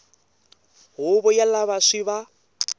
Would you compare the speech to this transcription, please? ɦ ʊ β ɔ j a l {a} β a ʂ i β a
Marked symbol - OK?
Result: yes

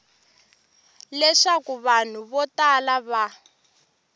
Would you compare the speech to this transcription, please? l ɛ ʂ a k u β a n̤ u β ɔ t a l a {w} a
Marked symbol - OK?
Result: no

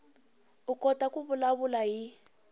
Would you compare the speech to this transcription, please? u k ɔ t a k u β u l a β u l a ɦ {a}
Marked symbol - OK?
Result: no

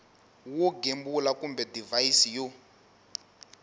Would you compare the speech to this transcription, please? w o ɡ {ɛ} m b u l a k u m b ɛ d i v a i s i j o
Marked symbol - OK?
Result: no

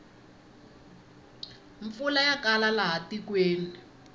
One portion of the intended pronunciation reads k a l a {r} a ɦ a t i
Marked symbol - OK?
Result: no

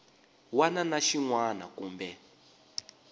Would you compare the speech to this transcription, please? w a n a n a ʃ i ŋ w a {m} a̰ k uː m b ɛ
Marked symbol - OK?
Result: no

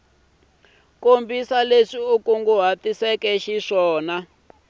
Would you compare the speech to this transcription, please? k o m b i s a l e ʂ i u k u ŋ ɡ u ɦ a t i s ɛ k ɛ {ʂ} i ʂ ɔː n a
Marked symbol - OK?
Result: no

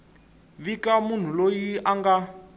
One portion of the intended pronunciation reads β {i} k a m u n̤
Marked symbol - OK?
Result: yes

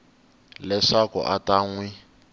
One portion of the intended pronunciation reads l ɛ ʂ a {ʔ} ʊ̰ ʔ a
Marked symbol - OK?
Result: no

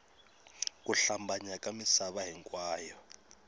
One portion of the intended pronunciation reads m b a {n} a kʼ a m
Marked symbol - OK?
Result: no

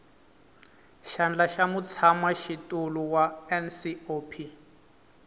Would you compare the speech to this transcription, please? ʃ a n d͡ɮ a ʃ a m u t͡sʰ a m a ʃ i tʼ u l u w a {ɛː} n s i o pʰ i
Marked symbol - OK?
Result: no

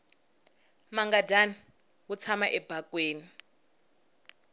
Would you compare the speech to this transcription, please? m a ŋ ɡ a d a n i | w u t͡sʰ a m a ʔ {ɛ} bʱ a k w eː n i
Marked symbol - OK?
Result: yes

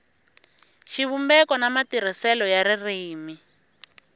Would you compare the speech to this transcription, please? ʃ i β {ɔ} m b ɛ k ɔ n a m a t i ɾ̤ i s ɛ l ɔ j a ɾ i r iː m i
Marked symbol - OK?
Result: no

